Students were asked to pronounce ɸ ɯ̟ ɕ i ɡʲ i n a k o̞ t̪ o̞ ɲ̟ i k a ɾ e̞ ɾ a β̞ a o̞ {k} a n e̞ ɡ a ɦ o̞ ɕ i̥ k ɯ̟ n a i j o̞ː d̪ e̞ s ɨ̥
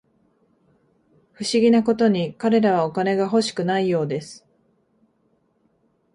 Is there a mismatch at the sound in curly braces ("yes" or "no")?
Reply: no